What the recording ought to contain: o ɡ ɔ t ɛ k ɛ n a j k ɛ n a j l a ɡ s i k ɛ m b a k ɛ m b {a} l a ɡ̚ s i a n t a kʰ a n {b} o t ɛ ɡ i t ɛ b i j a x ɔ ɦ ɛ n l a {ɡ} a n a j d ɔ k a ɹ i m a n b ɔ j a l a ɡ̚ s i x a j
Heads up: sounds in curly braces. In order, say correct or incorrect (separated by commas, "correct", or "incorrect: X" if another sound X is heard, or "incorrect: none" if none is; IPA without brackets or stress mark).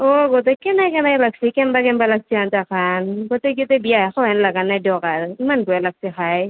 correct, incorrect: ɡ, correct